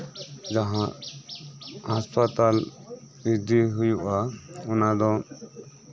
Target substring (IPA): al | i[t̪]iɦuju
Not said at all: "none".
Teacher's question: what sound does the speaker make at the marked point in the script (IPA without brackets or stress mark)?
d̪